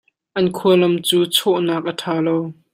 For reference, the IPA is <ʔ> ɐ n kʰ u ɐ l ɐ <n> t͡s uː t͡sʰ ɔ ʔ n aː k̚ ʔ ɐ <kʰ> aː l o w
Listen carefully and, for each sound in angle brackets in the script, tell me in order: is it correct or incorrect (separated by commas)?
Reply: correct, incorrect, incorrect